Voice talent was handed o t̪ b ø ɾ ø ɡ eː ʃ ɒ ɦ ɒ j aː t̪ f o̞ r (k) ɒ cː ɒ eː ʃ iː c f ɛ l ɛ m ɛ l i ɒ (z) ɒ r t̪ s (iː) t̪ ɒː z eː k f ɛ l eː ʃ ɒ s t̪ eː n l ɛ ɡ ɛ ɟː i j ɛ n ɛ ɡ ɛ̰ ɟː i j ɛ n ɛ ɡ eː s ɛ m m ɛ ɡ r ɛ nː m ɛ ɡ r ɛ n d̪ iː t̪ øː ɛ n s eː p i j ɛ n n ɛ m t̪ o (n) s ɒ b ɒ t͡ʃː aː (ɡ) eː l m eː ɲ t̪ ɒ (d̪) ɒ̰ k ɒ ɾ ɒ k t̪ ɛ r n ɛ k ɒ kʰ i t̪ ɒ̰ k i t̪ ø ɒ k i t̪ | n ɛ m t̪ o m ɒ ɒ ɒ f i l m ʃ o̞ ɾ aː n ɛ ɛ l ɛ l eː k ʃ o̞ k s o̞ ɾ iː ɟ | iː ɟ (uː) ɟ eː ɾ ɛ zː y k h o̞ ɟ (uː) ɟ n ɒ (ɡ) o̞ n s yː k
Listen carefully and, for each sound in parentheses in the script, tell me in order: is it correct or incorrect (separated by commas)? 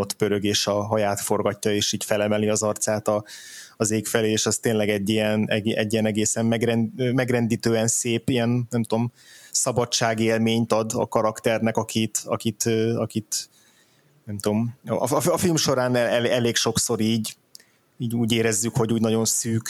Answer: incorrect, correct, incorrect, incorrect, correct, correct, correct, correct, incorrect